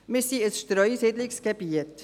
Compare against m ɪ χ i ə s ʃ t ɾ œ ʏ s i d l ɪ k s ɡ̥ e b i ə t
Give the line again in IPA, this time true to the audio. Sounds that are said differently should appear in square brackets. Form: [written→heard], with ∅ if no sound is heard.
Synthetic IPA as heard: m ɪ [χ→s] i ə s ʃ t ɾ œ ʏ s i d l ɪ k s ɡ̥ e b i ə t